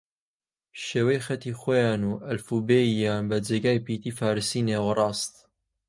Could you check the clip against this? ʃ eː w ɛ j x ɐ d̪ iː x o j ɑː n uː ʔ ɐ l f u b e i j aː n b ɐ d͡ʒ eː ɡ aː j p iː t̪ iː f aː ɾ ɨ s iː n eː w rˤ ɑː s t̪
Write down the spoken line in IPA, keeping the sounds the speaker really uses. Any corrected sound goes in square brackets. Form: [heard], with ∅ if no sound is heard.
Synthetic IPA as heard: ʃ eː w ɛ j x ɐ [t̪] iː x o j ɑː n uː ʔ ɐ l f u b e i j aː n b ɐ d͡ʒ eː ɡ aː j p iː t̪ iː f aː ɾ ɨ s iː n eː w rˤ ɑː s t̪